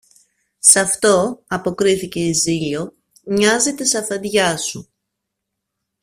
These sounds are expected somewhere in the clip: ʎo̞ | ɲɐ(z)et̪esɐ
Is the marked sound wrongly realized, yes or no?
no